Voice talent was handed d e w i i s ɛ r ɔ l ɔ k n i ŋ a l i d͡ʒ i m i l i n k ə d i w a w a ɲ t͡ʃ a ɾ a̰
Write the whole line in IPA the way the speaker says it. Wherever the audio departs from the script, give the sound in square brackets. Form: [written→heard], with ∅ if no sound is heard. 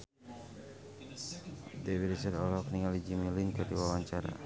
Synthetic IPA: d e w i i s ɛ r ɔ l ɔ k n i ŋ a l i d͡ʒ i m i l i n k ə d i w a w a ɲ t͡ʃ a ɾ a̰